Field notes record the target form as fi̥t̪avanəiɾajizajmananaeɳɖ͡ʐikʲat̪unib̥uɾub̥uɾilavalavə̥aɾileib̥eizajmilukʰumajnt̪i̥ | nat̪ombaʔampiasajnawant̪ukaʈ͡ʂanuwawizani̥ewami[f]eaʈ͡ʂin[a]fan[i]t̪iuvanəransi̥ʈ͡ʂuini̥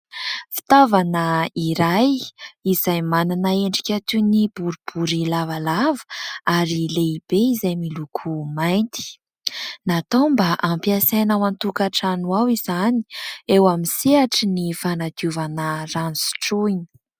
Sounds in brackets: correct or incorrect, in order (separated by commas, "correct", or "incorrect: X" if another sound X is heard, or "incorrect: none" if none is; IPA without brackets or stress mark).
incorrect: s, incorrect: i, incorrect: a